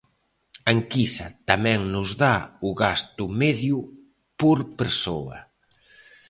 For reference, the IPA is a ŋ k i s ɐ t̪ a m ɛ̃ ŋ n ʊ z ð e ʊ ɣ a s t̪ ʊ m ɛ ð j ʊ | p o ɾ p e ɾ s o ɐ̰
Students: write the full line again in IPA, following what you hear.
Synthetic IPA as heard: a ŋ k i s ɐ t̪ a m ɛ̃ ŋ n ʊ z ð a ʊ ɣ a s t̪ ʊ m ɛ ð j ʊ | p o ɾ p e ɾ s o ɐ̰

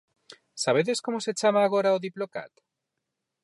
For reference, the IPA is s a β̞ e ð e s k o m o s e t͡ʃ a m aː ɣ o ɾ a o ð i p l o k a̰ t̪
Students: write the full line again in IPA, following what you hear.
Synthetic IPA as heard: s a β̞ e ð e s k o m o s e t͡ʃ a m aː ɣ o ɾ a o ð i p l o k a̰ t̪

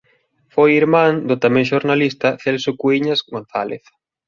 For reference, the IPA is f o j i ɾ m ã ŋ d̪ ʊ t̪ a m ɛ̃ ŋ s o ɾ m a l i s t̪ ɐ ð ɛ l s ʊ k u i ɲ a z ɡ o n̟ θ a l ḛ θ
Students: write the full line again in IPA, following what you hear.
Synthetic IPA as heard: f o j i ɾ m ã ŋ d̪ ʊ t̪ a m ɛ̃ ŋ ʃ o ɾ n a l i s t̪ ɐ θ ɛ l s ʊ k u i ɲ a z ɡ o n̟ θ a l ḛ θ

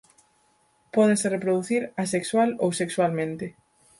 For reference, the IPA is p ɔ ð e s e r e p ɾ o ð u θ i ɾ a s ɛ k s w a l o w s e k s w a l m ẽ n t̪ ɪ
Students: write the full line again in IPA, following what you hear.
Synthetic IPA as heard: p ɔ ð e s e r e p ɾ o ð u θ i ɾ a s e k s w a l o w s e k s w a l m ẽ n t̪ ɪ

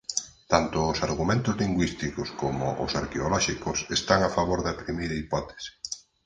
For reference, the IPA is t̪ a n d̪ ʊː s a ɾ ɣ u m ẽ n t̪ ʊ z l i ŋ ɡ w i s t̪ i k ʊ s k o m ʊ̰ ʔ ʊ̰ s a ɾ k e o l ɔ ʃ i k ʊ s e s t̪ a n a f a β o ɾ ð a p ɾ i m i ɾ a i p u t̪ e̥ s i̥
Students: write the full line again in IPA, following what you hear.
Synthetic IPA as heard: t̪ a n t̪ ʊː s a ɾ ɣ u m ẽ n t̪ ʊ z l i ŋ ɡ w i s t̪ i k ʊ s k o m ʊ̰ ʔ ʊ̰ s a ɾ k e o l ɔ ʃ i k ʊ s e s t̪ a ŋ a f a β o ɾ ð a p ɾ i m i ɾ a i p ɔ t̪ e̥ s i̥

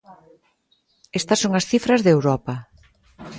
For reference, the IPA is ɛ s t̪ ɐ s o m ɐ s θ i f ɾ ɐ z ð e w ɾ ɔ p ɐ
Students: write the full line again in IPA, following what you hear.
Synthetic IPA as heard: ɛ s t̪ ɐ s o ŋ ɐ s θ i f ɾ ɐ z ð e w ɾ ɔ p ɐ

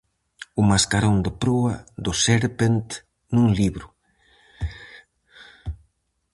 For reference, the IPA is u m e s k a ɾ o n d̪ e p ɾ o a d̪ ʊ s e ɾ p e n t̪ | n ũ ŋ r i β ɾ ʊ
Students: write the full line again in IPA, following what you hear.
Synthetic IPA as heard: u m a s k a ɾ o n d̪ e p ɾ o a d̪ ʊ s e ɾ p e n t̪ | n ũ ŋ l i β ɾ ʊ

